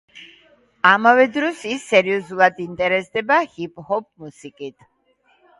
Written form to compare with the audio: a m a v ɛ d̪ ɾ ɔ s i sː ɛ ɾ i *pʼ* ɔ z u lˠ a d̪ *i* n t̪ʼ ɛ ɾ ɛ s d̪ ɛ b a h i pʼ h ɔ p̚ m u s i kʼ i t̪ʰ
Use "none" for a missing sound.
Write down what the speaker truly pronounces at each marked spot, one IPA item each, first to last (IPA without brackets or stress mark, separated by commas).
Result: none, i